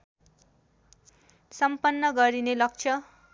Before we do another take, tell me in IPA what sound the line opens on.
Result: s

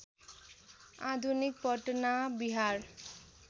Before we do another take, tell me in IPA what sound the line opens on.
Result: a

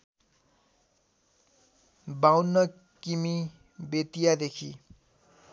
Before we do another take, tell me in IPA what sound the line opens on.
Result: b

